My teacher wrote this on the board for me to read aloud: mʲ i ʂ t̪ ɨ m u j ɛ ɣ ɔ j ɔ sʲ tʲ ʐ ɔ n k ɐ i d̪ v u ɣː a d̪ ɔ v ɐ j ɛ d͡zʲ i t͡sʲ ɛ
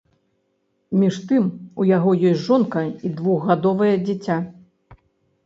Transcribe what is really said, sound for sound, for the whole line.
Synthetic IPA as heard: mʲ i ʂ t̪ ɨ m u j a ɣ ɔ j ɔ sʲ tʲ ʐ ɔ n k ɐ i d̪ v u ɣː a d̪ ɔ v ɐ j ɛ d͡zʲ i t͡sʲ a